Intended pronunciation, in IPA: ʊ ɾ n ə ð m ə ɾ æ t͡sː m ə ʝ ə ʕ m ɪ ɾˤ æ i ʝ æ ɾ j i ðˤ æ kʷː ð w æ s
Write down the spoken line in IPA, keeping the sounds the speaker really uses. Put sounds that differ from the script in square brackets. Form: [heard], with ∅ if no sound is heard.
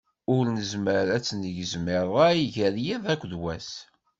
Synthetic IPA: ʊ ɾ n ə [z] m ə ɾ æ t͡sː [n] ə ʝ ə [z] m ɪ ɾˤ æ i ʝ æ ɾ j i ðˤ æ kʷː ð w æ s